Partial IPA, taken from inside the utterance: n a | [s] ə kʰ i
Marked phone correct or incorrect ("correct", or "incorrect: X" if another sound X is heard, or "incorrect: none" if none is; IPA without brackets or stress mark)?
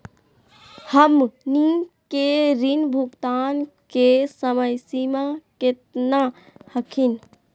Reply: incorrect: h